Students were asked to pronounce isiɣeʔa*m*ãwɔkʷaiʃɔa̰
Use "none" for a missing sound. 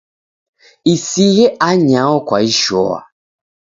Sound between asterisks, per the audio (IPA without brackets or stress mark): ɲ